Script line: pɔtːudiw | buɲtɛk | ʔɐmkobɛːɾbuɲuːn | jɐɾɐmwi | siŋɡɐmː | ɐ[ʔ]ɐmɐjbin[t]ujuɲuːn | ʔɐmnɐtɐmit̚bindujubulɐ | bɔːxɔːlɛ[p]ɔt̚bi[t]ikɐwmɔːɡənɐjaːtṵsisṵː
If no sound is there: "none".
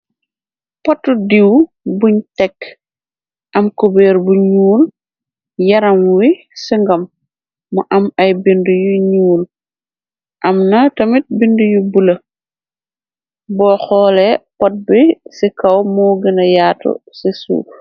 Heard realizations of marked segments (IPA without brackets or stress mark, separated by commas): ʔ, d, p, s